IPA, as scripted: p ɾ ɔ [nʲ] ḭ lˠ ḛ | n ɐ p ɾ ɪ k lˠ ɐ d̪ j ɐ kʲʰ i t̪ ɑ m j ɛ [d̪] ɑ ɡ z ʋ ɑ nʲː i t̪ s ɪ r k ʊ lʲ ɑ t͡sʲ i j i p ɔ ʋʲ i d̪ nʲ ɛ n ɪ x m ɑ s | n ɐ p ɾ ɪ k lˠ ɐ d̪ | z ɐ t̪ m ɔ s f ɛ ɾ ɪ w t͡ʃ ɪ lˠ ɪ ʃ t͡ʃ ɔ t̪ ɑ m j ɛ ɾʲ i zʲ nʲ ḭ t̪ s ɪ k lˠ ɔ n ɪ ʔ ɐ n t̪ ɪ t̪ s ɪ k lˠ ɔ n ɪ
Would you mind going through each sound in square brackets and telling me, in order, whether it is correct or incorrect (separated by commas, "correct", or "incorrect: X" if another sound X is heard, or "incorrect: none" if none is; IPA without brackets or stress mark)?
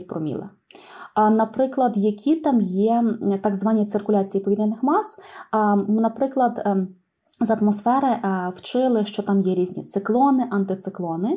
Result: incorrect: mʲ, incorrect: t̪